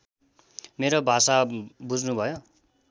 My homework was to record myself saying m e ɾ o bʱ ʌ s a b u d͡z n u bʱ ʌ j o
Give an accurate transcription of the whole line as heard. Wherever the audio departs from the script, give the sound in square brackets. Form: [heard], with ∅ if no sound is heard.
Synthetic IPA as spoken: m e ɾ o bʱ [a] s a b u d͡z n u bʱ ʌ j o